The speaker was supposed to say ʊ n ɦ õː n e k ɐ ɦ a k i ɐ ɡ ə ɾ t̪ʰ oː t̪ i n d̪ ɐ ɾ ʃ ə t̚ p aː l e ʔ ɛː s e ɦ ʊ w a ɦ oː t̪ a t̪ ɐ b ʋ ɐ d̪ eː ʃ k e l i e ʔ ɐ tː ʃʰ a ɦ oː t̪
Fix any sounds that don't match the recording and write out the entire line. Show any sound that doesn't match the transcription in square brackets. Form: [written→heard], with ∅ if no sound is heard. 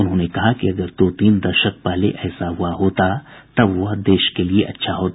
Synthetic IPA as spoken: ʊ n ɦ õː n e k ɐ ɦ a k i ɐ ɡ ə ɾ [t̪ʰ→t̪] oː t̪ [i→iː] n d̪ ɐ ɾ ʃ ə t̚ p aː l e ʔ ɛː s [e→a] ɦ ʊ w a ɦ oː t̪ a t̪ ɐ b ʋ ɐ d̪ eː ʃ k e l i e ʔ ɐ tː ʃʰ a ɦ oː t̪

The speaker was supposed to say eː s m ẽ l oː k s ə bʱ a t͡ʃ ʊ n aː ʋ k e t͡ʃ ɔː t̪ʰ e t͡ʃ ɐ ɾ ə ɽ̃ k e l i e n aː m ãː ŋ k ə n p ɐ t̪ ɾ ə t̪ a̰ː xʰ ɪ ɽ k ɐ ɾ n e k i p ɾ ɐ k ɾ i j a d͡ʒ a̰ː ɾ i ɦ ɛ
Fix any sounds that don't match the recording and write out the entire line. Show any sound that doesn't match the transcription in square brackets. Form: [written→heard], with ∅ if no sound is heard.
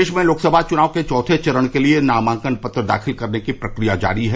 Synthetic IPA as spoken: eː [s→ʃ] m ẽ l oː k s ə bʱ a t͡ʃ ʊ n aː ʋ k e t͡ʃ ɔː t̪ʰ e t͡ʃ ɐ ɾ ə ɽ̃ k e l i e n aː m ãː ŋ k ə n p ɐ t̪ ɾ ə [t̪→d̪] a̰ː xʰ ɪ [ɽ→l] k ɐ ɾ n e k i p ɾ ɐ k ɾ i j a d͡ʒ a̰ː ɾ i ɦ ɛ

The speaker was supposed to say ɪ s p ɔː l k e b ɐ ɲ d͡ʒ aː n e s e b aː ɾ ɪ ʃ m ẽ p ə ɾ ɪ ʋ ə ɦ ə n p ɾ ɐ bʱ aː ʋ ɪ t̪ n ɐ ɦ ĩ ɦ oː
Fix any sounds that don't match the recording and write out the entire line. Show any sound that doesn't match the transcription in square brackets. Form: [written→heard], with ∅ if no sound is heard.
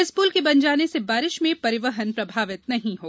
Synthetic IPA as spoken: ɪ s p [ɔː→uː] l k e b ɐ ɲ d͡ʒ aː n e s e b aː ɾ ɪ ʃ m ẽ p [ə→ɐ] ɾ ɪ ʋ ə ɦ ə n p ɾ ɐ bʱ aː ʋ ɪ t̪ n ɐ ɦ ĩ ɦ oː

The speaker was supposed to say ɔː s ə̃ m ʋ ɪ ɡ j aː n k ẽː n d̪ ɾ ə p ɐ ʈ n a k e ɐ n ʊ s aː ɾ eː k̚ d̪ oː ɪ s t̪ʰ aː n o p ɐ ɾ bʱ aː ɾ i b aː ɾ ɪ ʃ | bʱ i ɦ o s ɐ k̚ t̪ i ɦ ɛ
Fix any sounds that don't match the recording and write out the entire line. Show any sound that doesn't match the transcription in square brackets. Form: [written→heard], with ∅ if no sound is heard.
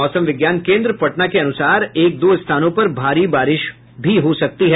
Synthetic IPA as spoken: ɔː s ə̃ m ʋ ɪ ɡ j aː n k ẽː n d̪ ɾ ə p ɐ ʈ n a k e ɐ n ʊ s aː ɾ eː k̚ d̪ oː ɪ s t̪ʰ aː n [o→õ] p ɐ ɾ bʱ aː ɾ i b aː ɾ ɪ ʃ | bʱ i ɦ o s ɐ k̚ t̪ i ɦ ɛ

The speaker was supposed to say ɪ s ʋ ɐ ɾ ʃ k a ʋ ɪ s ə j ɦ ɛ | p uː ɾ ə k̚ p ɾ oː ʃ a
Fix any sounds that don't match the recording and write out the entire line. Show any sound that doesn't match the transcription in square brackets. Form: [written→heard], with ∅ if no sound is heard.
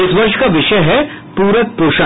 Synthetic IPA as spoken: ɪ s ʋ ɐ ɾ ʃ k a ʋ ɪ [s→ʃ] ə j ɦ ɛ | p uː ɾ ə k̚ p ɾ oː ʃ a

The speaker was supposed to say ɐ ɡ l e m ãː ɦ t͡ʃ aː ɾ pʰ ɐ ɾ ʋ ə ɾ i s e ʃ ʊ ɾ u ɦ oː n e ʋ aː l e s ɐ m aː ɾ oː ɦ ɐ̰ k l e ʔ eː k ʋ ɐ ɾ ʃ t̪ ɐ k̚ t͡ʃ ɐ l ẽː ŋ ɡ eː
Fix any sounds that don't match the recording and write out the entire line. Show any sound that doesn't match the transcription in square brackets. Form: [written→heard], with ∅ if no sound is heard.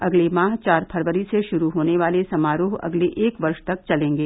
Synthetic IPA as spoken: ɐ ɡ l e m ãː ɦ t͡ʃ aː ɾ pʰ ɐ ɾ ʋ ə ɾ i s e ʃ ʊ ɾ u ɦ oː n e ʋ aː l e s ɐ m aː ɾ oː ɦ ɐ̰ [k→ɡ] l e ʔ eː k ʋ ɐ ɾ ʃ t̪ ɐ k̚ t͡ʃ ɐ l ẽː ŋ ɡ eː

